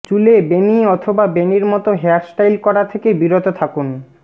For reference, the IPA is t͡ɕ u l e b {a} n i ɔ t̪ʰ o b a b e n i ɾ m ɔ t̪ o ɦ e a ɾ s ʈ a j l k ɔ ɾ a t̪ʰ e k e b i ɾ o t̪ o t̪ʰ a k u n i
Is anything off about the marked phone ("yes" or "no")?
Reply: yes